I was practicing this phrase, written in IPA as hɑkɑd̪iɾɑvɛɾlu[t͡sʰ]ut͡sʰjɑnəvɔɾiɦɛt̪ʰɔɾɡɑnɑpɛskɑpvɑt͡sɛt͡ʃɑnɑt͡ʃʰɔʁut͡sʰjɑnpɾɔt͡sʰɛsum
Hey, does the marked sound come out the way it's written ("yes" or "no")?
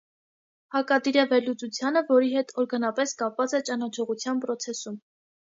no